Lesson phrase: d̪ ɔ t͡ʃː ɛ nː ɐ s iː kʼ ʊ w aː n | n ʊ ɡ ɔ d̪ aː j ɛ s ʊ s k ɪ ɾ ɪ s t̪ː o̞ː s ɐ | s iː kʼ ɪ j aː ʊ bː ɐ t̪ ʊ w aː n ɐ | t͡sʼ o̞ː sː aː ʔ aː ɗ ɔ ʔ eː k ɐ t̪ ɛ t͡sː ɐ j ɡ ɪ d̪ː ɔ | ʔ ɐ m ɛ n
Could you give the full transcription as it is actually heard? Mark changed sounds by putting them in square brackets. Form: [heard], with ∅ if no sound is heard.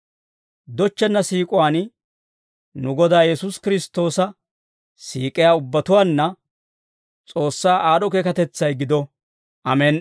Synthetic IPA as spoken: d̪ ɔ t͡ʃː ɛ nː ɐ s iː kʼ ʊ w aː n | n ʊ ɡ ɔ d̪ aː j ɛ s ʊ s k ɪ ɾ ɪ s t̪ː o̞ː s ɐ | s iː kʼ ɪ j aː ʊ bː ɐ t̪ ʊ w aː [nː] ɐ | t͡sʼ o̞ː sː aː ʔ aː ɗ ɔ [k] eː k ɐ t̪ ɛ t͡sː ɐ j ɡ ɪ [d̪] ɔ | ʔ ɐ m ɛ n